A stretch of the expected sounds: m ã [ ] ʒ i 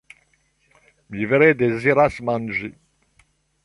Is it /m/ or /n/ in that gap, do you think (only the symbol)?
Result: n